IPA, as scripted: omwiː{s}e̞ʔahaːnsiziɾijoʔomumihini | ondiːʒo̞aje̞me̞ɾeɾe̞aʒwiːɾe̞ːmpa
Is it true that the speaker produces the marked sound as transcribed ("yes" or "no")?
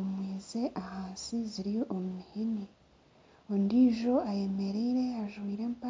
no